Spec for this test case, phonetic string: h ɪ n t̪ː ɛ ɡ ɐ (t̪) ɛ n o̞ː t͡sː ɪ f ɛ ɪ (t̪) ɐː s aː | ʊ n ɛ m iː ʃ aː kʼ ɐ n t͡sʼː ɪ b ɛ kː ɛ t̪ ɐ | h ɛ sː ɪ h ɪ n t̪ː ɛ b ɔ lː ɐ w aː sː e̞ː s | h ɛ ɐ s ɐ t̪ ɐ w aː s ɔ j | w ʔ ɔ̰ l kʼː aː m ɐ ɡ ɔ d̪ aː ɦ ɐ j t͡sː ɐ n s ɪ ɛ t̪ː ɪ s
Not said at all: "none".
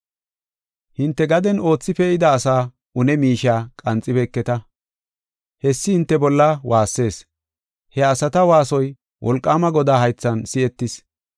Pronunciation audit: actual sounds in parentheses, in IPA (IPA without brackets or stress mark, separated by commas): d̪, d̪